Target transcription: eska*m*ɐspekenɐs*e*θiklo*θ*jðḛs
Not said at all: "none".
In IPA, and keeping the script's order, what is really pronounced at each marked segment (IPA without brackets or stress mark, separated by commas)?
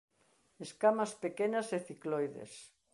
m, e, none